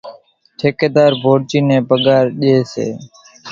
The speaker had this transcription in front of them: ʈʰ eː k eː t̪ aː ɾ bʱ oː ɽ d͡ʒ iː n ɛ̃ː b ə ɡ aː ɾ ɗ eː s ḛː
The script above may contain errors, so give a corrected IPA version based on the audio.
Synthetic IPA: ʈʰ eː k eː d̪ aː ɾ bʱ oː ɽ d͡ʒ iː n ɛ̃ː b ə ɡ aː ɾ ɗ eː s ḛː

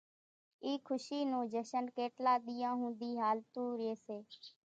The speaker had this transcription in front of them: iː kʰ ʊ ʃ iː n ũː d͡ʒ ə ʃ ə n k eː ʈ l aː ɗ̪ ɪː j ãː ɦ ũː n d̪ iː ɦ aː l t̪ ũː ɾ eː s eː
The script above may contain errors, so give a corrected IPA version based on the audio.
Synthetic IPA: iː kʰ ʊ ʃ iː n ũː d͡ʒ ə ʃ ə n k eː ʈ l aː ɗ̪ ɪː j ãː ɦ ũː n d̪ iː ɦ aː l t̪ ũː ɾ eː s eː

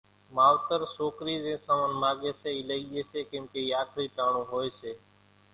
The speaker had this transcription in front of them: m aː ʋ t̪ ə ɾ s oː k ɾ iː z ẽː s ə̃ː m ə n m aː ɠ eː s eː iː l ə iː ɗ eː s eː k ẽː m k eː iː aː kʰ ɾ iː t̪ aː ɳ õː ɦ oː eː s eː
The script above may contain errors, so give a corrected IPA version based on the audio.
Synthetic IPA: m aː ʋ t̪ ə ɾ s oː k ɾ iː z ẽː s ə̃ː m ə n m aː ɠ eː s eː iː l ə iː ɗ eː s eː k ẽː m k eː iː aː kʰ ɾ iː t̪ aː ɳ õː ɦ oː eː s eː

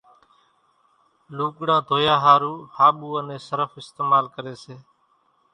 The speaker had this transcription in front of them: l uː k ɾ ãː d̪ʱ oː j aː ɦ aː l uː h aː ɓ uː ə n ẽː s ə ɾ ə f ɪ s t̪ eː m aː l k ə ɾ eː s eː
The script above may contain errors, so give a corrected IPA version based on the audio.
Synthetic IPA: l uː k ɽ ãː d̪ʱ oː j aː ɦ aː ɾ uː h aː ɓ uː ə n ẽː s ə ɾ ə f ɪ s t̪ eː m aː l k ə ɾ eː s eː

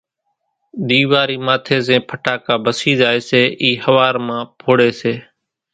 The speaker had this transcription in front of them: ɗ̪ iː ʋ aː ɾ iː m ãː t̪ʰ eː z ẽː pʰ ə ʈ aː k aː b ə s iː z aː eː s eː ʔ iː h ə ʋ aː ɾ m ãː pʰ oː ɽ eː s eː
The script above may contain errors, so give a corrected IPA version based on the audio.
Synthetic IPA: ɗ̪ iː ʋ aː ɾ iː m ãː t̪ʰ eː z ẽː pʰ ə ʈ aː k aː b ə s iː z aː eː s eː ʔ iː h ə ʋ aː ɾ m ãː pʰ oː ɽ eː s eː

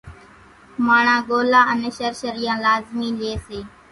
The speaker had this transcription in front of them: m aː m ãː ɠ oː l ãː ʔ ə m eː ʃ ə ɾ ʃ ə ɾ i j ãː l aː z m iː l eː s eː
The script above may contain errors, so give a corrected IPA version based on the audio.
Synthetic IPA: m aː ɳ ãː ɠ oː l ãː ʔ ə n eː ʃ ə ɾ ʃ ə ɾ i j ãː l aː z m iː l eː s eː

